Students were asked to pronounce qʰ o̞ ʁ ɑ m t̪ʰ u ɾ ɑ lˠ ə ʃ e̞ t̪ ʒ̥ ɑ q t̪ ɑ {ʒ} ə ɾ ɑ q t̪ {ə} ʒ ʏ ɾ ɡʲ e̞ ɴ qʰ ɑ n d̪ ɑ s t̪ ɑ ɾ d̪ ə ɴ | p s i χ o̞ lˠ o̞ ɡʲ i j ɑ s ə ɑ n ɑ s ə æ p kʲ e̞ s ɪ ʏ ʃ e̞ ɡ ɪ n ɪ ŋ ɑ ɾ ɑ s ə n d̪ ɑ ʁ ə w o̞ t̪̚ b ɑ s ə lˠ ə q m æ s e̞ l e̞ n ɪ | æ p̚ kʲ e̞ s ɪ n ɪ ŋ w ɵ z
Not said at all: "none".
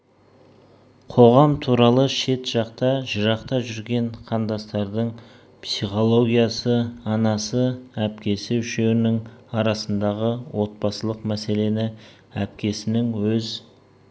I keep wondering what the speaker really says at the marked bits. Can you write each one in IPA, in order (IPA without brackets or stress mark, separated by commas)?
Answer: ʒ, ɑ